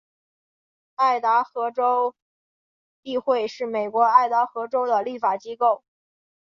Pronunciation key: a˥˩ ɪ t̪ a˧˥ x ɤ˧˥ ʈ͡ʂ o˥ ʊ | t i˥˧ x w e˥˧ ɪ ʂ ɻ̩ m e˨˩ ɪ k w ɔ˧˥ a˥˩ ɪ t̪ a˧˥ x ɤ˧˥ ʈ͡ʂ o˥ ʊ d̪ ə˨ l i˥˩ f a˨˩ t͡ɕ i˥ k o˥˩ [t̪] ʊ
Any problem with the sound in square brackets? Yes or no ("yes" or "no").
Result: yes